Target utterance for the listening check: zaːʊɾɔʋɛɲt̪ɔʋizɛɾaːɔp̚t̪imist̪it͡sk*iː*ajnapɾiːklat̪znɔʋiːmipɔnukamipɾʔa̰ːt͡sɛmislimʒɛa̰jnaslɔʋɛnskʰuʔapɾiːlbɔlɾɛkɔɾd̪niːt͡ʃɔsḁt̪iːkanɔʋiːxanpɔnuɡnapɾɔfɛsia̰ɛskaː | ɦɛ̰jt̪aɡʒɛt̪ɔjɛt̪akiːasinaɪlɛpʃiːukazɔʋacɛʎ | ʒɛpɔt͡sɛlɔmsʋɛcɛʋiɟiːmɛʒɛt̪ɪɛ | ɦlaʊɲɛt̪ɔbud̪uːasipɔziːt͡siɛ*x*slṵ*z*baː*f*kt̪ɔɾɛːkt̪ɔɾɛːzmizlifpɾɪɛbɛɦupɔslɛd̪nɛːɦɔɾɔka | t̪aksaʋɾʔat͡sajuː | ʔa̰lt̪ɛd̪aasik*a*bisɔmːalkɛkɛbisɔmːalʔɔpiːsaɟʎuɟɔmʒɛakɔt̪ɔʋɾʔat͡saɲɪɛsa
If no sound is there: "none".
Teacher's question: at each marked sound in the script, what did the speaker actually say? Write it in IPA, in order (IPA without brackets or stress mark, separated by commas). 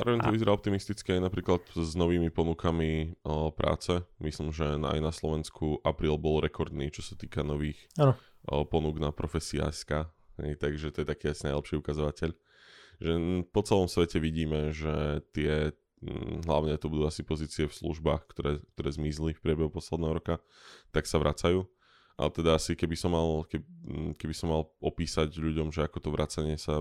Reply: i, f, ʒ, x, ɛ